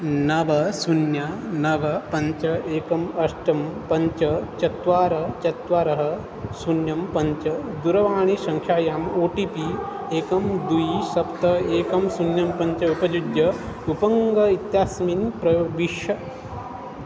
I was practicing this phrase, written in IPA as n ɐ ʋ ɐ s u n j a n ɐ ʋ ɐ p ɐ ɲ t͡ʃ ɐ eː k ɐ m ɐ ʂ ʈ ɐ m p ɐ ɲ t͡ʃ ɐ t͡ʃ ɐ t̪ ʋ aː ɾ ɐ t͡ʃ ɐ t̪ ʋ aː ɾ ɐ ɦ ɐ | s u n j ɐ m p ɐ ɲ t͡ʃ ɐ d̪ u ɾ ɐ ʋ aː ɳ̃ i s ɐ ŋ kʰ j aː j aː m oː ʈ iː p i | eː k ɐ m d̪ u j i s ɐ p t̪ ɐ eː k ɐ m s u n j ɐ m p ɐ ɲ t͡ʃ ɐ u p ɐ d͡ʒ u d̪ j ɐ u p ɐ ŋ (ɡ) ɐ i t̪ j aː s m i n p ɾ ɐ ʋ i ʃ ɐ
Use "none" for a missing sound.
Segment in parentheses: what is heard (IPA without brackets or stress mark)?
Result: ɡ